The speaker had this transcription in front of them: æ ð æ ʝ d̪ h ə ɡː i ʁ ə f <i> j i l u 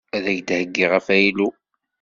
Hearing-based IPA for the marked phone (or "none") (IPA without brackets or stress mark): æ